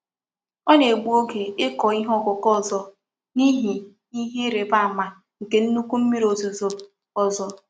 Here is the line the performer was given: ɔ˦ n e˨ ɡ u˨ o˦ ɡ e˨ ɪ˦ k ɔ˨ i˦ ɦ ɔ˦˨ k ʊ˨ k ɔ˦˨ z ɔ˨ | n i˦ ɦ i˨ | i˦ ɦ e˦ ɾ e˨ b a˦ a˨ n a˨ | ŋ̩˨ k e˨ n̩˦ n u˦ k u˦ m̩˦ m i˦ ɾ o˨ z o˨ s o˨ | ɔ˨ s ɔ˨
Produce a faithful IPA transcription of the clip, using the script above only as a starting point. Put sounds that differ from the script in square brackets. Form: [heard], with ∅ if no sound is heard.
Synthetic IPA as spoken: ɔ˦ n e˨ [ɡ͡b] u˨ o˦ ɡ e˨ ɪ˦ k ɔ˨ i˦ ɦ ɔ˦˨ k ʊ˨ k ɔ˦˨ z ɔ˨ | n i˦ ɦ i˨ | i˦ ɦ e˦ ɾ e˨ b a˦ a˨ [m] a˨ | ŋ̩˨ k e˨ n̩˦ n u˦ k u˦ m̩˦ m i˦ ɾ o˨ z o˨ [z] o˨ | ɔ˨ [z] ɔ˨